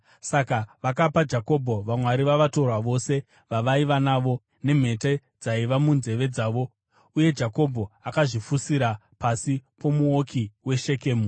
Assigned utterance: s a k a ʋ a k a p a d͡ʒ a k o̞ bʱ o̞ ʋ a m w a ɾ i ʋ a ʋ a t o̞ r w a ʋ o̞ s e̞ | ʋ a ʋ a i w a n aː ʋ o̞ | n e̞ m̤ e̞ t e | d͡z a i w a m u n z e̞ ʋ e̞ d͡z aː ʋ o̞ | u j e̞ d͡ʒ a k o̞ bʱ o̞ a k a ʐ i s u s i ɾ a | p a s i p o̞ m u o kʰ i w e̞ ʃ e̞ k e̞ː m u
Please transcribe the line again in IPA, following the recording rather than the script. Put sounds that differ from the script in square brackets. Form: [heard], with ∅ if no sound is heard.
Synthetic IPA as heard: s a k a ʋ a k a p a d͡ʒ a k o̞ bʱ o̞ ʋ a m w a ɾ i ʋ a ʋ a t o̞ r w a ʋ o̞ s e̞ | ʋ a ʋ a i [ʋ] a n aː ʋ o̞ | n e̞ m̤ e̞ t e | d͡z a i [ʋ] a m u n z e̞ ʋ e̞ d͡z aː ʋ o̞ | u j e̞ d͡ʒ a k o̞ bʱ o̞ a k a ʐ i [f] u s i ɾ a | p a s i p o̞ m u o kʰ i w e̞ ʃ e̞ k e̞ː m u